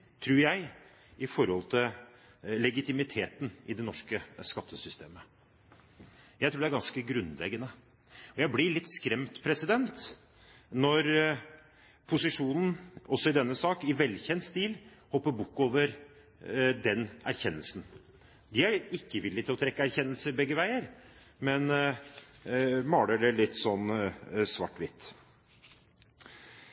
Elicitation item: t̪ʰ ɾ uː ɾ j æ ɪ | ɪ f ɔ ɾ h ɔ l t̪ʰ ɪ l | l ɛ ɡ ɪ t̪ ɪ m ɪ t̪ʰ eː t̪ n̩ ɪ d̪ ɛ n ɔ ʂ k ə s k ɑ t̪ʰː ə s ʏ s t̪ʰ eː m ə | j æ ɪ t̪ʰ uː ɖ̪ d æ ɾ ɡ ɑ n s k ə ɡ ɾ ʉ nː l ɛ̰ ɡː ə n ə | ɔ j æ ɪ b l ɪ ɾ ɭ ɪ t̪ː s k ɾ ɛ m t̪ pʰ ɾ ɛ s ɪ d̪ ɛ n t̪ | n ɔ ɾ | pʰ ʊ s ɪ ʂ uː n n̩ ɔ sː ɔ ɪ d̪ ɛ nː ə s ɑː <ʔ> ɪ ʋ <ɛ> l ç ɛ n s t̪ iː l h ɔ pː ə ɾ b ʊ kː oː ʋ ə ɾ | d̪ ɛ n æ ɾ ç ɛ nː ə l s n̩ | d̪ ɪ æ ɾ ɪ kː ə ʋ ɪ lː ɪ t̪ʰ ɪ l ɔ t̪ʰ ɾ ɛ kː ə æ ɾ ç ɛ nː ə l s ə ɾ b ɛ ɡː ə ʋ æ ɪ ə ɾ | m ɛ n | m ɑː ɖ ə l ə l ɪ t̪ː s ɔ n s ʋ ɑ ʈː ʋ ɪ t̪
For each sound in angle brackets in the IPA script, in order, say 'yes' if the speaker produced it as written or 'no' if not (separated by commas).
no, yes